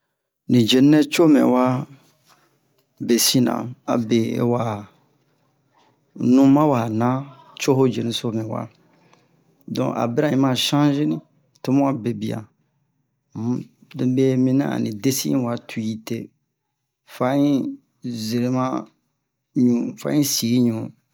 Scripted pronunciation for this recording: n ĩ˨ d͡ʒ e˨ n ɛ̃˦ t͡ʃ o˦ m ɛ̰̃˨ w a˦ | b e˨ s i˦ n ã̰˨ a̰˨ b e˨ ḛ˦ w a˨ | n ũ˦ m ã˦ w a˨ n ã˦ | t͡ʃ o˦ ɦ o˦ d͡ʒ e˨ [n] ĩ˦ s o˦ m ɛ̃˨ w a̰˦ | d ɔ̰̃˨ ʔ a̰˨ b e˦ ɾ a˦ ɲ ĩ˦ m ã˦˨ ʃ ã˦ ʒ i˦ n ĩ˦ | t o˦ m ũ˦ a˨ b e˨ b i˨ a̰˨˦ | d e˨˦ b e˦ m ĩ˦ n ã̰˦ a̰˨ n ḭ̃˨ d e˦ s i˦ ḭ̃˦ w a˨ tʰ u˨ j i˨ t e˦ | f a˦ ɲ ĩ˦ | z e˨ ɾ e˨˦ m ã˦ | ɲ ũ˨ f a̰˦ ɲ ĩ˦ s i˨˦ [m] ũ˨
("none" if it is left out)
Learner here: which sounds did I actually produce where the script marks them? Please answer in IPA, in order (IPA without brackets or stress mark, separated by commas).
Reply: n, ɲ